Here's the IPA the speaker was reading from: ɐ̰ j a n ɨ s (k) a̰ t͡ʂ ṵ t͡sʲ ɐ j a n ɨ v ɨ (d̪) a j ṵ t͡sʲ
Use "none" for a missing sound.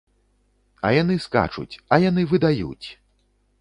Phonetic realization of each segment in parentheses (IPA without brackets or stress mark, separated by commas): k, d̪